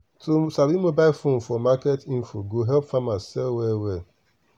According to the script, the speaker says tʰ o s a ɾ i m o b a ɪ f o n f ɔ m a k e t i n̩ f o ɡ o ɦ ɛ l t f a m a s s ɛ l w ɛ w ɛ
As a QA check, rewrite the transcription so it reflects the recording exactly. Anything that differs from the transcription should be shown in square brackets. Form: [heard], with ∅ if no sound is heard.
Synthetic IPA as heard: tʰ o s a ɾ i m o b a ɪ f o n f ɔ m a k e t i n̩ f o ɡ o ɦ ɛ l [p] f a m a s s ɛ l w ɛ w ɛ